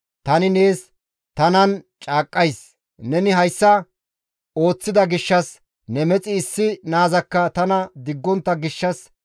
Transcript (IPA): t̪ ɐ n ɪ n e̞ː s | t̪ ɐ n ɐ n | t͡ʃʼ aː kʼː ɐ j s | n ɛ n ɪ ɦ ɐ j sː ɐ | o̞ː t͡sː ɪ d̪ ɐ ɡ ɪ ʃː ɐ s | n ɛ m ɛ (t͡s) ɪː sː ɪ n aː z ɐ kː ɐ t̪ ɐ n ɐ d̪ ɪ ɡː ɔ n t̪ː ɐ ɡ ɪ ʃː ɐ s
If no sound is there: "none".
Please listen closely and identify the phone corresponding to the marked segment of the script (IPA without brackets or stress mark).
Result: t͡sʼ